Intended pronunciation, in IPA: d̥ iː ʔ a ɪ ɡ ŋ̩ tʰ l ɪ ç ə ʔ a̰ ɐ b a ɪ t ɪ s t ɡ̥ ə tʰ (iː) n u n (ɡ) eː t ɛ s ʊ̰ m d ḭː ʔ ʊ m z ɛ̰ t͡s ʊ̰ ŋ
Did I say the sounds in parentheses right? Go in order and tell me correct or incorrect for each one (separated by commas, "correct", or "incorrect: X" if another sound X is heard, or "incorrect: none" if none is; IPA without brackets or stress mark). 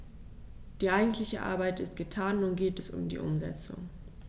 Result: incorrect: aː, correct